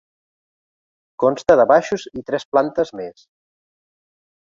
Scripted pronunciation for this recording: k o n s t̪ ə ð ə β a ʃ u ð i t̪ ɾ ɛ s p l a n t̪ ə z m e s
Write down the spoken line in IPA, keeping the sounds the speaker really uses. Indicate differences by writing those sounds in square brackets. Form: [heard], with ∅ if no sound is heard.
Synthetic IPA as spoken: k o n s t̪ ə ð ə β a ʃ u [z] i t̪ ɾ ɛ s p l a n t̪ ə z m e s